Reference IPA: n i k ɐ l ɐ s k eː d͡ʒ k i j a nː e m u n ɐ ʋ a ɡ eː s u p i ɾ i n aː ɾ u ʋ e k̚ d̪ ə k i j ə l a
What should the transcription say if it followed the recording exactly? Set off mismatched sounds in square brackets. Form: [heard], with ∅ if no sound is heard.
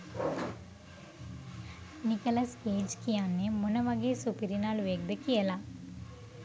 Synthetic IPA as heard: n i k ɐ l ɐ s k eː d͡ʒ k i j a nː e m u n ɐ ʋ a ɡ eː s u p i ɾ i n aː [l] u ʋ e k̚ d̪ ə k i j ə l a